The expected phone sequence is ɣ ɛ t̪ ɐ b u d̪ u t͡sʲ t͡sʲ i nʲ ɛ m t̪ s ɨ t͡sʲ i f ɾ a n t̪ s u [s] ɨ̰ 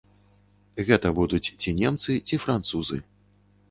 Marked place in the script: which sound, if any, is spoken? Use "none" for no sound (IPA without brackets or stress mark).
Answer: z